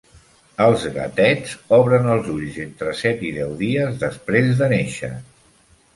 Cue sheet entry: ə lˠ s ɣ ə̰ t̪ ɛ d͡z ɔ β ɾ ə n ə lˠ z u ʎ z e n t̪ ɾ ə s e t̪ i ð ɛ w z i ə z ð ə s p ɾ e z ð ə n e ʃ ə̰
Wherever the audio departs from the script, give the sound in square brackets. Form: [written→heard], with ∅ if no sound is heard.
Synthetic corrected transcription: ə lˠ [s→z] ɣ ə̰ t̪ ɛ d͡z ɔ β ɾ ə n ə lˠ z u ʎ z e n t̪ ɾ ə s [e→ɛ] t̪ i ð ɛ w [z→ð] i ə z ð ə s p ɾ e z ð ə n e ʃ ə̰

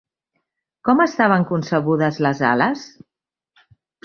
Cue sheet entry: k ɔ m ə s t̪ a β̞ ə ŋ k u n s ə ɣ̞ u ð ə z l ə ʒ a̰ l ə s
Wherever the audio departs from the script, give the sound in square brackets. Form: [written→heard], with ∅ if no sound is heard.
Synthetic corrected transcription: k ɔ m ə s t̪ a β̞ ə ŋ k u n s ə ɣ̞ u ð ə z l ə [ʒ→z] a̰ l ə s

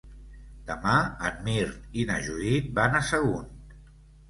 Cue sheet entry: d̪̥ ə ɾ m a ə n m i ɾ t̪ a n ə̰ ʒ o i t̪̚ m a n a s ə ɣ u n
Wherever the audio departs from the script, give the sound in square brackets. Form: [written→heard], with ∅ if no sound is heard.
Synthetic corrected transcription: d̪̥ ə [ɾ→∅] m a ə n m i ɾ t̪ [a→i] n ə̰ ʒ [o→u] i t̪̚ [m→b] a n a s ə ɣ u n

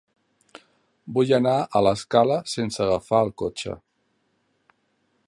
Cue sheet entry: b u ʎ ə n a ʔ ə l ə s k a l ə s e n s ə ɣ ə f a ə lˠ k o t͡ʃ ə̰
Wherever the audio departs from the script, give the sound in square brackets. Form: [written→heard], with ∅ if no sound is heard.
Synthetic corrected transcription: b u [ʎ→j] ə n a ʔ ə l ə s k a l ə s e n s ə ɣ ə f a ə lˠ k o t͡ʃ ə̰

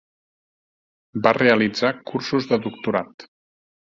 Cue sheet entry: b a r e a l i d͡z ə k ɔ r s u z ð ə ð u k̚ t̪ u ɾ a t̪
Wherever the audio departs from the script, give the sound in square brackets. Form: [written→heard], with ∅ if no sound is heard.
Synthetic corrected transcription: b a r e [a→ə] l i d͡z [ə→a] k [ɔ→u] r s u z ð ə ð u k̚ t̪ u ɾ a t̪

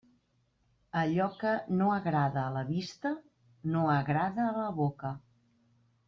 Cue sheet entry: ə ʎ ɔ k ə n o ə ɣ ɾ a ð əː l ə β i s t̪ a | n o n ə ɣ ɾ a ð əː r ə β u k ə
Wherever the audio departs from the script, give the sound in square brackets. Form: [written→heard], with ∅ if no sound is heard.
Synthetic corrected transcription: ə ʎ ɔ k ə n o ə ɣ ɾ a ð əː l ə β i s t̪ [a→ə] | n o [n→∅] ə ɣ ɾ a ð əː [r→l] ə β [u→o] k ə

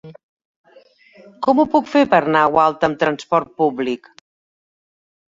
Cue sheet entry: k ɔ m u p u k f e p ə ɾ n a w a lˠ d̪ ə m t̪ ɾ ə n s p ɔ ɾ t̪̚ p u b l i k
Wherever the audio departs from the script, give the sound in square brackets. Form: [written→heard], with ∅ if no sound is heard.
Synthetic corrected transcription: k ɔ m u p u k f e p ə ɾ n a w a lˠ [d̪→t̪] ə m t̪ ɾ ə n s p ɔ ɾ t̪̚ p u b l i k

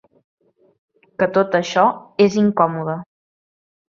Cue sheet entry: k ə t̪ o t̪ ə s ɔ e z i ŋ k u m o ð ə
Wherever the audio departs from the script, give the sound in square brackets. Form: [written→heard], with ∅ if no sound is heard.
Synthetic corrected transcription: k ə t̪ o t̪ ə [s→ʃ] ɔ e z i ŋ k [u→ɔ] m [o→u] ð ə

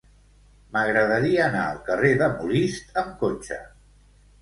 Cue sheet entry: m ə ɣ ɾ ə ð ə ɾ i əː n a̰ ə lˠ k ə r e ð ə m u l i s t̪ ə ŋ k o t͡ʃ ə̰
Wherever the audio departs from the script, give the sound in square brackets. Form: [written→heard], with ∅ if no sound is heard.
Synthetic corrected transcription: m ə ɣ ɾ ə ð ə ɾ i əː n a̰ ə lˠ k ə r e ð ə m u l i s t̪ ə [ŋ→m] k o t͡ʃ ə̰

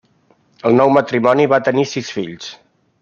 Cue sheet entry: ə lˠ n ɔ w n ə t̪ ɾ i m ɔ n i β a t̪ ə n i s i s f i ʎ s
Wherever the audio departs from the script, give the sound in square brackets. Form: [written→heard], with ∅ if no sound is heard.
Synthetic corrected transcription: ə lˠ n ɔ w [n→m] ə t̪ ɾ i m ɔ n i β a t̪ ə n i s i s f i ʎ s

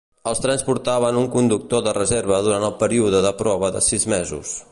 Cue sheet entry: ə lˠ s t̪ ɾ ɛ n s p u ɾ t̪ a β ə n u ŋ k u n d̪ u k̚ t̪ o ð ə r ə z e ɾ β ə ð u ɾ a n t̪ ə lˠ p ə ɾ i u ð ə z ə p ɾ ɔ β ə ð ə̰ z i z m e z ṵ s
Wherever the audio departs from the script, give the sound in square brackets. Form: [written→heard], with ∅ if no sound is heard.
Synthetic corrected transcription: ə lˠ s t̪ ɾ ɛ n s p u ɾ t̪ a β ə n u ŋ k u n d̪ u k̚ t̪ o ð ə r ə z e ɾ β ə ð u ɾ a n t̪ ə lˠ p ə ɾ i u ð ə [z→ð] ə p ɾ ɔ β ə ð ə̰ [z→s] i z m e z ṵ s

